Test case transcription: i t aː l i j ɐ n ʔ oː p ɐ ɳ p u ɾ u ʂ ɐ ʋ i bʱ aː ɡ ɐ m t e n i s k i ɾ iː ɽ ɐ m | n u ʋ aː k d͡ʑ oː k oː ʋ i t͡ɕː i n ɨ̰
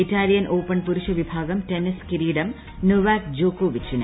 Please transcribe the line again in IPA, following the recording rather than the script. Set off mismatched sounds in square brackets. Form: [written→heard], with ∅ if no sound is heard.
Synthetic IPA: i t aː l i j ɐ n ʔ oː p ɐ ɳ p u ɾ u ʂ ɐ ʋ i bʱ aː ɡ ɐ m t e n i s k i ɾ iː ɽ ɐ m | n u ʋ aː k d͡ʑ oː k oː ʋ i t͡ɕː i n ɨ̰

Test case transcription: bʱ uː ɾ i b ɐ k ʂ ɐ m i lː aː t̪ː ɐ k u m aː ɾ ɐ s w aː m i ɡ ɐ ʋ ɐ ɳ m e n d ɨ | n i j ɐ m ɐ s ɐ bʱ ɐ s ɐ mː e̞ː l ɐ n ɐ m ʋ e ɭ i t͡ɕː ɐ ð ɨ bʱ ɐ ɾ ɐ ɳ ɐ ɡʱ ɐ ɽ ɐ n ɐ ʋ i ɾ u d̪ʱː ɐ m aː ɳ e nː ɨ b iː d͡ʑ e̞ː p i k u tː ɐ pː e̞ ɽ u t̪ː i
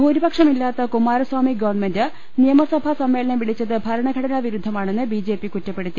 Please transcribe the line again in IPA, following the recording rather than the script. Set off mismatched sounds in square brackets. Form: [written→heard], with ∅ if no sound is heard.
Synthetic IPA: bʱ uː ɾ i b ɐ k ʂ ɐ m i lː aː t̪ː ɐ k u m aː ɾ ɐ s w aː m i ɡ ɐ ʋ ɐ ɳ m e n d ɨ | n i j ɐ m ɐ s ɐ bʱ ɐ s ɐ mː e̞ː l ɐ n ɐ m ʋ [e→i] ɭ i t͡ɕː ɐ ð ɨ bʱ ɐ ɾ ɐ ɳ ɐ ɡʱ ɐ ɽ ɐ n ɐ ʋ i ɾ u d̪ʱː ɐ m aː ɳ e nː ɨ b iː d͡ʑ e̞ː p i k u tː ɐ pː e̞ ɽ u t̪ː i

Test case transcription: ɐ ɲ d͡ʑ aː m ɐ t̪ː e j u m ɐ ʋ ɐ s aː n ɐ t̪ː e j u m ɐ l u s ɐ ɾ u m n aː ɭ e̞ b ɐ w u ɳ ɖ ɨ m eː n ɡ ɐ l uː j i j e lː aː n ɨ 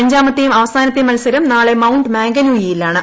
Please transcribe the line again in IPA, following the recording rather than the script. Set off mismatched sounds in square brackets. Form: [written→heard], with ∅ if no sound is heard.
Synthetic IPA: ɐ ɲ d͡ʑ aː m ɐ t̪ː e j u m ɐ ʋ ɐ s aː n ɐ t̪ː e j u m ɐ l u s ɐ ɾ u m n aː ɭ e̞ [b→m] ɐ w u ɳ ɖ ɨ m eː [n→ŋ] ɡ ɐ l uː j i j [e→i] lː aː [n→ɳ] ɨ

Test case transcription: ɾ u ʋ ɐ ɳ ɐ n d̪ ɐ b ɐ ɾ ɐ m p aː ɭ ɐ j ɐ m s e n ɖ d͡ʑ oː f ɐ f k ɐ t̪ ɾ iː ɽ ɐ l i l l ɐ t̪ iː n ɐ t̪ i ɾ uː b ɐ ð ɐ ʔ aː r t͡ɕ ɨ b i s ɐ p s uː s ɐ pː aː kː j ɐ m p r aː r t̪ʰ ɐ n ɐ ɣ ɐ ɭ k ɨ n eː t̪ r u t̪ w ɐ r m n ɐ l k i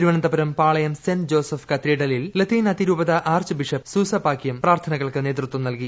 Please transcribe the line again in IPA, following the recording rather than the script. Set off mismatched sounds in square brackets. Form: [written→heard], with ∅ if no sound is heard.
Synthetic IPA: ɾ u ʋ ɐ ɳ ɐ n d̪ ɐ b ɐ ɾ ɐ m p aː ɭ ɐ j ɐ m s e n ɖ d͡ʑ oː [f→s] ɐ f k ɐ t̪ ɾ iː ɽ ɐ l i l l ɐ t̪ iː n ɐ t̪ i ɾ uː b ɐ ð ɐ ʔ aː r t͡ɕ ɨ b i [s→ʂ] ɐ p s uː s ɐ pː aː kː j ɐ m p r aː r t̪ʰ ɐ n ɐ ɣ ɐ ɭ k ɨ n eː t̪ r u t̪ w ɐ [r→∅] m n ɐ l k i

